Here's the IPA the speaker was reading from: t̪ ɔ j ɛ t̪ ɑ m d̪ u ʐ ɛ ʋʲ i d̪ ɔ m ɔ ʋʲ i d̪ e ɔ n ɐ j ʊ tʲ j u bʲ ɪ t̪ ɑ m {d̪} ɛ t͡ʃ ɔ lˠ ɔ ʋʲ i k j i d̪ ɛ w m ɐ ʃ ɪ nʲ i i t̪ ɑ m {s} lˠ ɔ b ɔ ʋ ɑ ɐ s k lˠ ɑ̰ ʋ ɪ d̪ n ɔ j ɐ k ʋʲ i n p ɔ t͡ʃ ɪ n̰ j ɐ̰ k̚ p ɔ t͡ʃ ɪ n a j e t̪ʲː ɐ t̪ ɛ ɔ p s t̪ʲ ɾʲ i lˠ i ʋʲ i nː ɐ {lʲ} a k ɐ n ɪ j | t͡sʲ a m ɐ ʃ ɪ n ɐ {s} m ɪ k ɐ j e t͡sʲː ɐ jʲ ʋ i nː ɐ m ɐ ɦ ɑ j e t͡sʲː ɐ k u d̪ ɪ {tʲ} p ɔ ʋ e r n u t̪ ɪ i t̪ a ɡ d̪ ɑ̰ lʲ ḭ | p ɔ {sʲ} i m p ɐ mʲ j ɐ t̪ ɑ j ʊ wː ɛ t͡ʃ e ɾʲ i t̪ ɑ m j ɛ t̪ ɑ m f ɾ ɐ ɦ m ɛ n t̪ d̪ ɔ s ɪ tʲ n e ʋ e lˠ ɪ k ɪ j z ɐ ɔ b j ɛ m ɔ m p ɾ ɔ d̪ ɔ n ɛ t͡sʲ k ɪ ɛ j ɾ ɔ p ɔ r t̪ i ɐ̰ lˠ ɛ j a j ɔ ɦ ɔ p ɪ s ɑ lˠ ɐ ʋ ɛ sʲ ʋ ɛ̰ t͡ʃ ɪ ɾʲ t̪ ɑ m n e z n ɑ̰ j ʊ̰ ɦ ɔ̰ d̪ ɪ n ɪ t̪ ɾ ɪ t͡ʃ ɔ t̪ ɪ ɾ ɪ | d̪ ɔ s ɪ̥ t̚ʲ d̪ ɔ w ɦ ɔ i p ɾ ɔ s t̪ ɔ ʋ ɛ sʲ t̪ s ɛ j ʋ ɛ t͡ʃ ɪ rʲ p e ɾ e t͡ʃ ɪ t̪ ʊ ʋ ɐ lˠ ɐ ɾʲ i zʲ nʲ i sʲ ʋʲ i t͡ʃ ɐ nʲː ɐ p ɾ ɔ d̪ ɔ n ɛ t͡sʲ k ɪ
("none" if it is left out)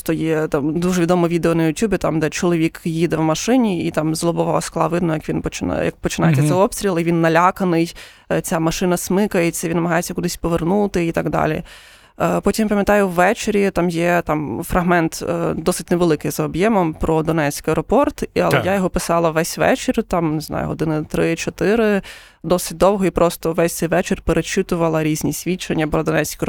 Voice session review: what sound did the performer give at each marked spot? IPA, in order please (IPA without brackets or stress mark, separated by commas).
d̪, z, lʲ, s, sʲ, tʲ